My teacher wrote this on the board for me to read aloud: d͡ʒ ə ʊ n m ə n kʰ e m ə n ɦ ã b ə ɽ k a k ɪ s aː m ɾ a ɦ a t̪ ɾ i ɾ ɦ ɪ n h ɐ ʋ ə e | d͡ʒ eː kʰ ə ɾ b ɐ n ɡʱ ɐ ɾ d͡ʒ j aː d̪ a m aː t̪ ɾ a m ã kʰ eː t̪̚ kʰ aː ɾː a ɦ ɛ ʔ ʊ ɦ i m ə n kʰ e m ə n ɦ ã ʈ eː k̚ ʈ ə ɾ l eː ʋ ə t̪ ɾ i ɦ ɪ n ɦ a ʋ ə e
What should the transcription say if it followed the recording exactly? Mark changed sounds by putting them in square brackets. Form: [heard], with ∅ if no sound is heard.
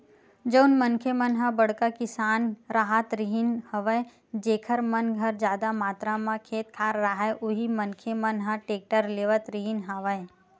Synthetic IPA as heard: d͡ʒ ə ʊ n m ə n kʰ e m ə n ɦ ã b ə ɽ k a k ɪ s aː [n] ɾ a ɦ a t̪ ɾ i [∅] ɦ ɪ n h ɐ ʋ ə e | d͡ʒ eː kʰ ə ɾ [m] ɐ n ɡʱ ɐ ɾ d͡ʒ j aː d̪ a m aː t̪ ɾ a m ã kʰ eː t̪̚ kʰ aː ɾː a ɦ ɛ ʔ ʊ ɦ i m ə n kʰ e m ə n ɦ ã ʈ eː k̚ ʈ ə ɾ l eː ʋ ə t̪ ɾ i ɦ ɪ n ɦ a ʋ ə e